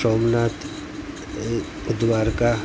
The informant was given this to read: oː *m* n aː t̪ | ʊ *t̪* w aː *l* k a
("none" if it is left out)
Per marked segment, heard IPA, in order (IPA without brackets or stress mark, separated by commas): m, d̪, ɾ